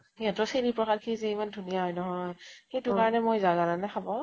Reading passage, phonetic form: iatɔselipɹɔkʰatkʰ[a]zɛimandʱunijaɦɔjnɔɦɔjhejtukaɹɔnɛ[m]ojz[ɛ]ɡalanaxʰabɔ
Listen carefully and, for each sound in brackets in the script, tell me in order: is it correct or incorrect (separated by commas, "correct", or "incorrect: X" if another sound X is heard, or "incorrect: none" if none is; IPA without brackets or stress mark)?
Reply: incorrect: i, correct, incorrect: a